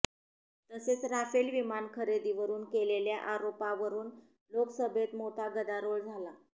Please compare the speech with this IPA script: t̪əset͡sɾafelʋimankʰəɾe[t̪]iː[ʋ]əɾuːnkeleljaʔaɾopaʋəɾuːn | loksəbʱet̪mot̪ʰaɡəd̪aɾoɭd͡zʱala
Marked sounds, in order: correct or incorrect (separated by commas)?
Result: incorrect, correct